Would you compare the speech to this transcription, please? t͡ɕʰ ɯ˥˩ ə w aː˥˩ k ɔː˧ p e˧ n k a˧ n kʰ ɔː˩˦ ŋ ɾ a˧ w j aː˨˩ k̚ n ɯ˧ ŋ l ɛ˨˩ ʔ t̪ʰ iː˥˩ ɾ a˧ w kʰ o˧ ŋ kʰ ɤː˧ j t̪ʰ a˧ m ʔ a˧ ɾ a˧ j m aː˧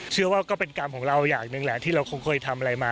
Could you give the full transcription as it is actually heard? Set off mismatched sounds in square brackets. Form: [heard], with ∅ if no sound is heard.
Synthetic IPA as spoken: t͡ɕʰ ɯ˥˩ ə w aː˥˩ k [ɔː˥˩] p e˧ n k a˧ [m] kʰ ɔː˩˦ ŋ ɾ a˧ w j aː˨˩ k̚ n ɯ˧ ŋ l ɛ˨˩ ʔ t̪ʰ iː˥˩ ɾ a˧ w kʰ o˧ ŋ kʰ ɤː˧ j t̪ʰ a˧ m ʔ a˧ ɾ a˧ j m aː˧